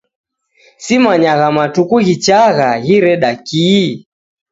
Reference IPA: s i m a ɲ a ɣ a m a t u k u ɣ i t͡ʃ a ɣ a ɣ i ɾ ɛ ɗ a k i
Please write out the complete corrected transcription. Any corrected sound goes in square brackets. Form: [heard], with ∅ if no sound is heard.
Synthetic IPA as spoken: s i m a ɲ a ɣ a m a t u k u ɣ i t͡ʃ a ɣ a ɣ i ɾ ɛ ɗ a k i